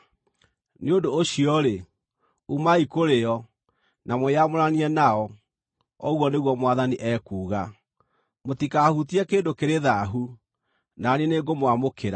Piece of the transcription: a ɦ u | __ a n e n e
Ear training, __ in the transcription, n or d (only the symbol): n